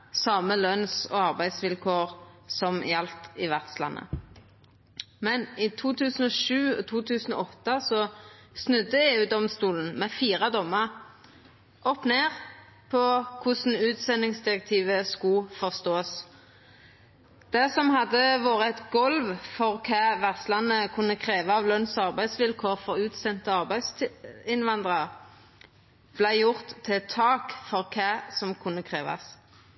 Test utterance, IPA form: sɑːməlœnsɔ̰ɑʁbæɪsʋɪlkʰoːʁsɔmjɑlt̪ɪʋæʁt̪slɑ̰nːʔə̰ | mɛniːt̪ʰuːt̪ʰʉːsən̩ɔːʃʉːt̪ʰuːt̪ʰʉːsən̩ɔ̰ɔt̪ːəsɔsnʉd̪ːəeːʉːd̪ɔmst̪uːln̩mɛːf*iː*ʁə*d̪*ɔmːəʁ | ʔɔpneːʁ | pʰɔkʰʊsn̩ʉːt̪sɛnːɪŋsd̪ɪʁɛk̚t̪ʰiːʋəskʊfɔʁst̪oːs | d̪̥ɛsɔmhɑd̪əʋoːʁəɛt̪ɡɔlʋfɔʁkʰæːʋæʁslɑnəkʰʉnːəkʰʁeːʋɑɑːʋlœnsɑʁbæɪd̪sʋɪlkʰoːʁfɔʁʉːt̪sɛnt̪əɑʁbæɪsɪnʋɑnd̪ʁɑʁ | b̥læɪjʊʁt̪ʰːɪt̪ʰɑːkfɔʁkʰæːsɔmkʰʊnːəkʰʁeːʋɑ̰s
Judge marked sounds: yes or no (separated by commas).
yes, yes